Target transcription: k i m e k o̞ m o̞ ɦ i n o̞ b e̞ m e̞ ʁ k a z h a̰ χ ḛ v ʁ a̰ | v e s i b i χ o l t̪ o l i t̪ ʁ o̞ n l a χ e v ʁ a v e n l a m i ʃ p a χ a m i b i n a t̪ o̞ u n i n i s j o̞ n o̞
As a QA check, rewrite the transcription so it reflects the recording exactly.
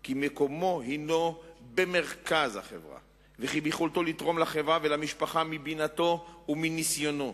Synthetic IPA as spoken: k i m e k o̞ m o̞ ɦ i n o̞ b e̞ m e̞ ʁ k a z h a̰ χ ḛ v ʁ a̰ | v e χ i b i χ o l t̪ o l i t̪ ʁ o̞ m l a χ e v ʁ a v e l a m i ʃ p a χ a m i b i n a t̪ o̞ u m i n i s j o̞ n o̞